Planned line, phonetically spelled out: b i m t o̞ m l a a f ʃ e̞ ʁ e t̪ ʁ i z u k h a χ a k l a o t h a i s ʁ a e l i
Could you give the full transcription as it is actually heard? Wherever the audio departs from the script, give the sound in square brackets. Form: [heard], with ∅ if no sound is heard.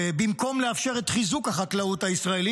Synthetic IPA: b i m [k] o̞ m l [e] a f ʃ e̞ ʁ e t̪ [χ] i z u k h a χ a k l a [u] t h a i s ʁ a e l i